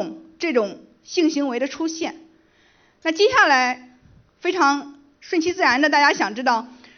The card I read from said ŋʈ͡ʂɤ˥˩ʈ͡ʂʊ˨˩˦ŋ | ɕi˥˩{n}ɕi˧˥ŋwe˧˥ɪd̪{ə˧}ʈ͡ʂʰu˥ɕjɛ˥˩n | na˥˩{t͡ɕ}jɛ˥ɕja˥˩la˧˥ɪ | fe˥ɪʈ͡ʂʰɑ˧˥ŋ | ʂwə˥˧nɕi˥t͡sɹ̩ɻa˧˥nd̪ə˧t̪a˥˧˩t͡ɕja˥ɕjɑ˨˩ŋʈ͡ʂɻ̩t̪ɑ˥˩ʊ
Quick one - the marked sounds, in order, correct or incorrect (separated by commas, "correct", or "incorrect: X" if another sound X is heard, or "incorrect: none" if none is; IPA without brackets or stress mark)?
incorrect: ŋ, correct, correct